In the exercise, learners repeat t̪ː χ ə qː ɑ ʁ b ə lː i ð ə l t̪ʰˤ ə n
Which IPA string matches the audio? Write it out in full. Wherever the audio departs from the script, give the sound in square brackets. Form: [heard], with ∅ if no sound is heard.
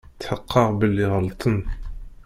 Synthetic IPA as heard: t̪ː [ħ] ə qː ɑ ʁ b ə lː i [ʁ] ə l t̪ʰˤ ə n